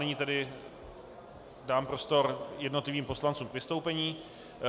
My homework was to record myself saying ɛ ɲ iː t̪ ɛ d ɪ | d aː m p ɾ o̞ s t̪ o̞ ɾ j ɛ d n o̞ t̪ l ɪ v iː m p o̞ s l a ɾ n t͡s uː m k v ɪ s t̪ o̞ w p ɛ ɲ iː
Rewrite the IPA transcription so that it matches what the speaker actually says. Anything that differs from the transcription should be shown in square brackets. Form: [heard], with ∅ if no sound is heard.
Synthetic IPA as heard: ɛ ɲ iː t̪ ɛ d ɪ | d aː m p ɾ o̞ s t̪ o̞ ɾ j ɛ d n o̞ t̪ l ɪ v iː m p o̞ s l a [∅] n t͡s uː m k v ɪ s t̪ o̞ w p ɛ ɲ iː